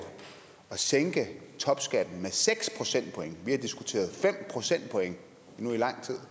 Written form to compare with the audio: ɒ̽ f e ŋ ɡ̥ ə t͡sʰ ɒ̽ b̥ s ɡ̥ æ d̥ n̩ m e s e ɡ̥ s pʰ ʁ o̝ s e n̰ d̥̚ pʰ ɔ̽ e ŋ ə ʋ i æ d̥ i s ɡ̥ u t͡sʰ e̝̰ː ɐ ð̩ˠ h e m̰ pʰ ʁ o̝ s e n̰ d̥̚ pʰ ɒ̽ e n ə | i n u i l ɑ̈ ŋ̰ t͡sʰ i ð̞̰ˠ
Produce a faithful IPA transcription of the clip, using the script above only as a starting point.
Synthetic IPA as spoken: ɒ̽ s e ŋ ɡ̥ ə t͡sʰ ɒ̽ b̥ s ɡ̥ æ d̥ n̩ m e s e ɡ̥ s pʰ ʁ o̝ s e n̰ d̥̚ pʰ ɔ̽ e ŋ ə ʋ i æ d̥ i s ɡ̥ u t͡sʰ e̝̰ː ɐ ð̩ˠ f e m̰ pʰ ʁ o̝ s e n̰ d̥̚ pʰ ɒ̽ e ŋ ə | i n u i l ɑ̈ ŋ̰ t͡sʰ i ð̞̰ˠ